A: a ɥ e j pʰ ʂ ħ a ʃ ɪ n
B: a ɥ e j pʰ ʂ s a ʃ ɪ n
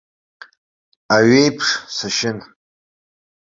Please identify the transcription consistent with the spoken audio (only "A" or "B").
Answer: B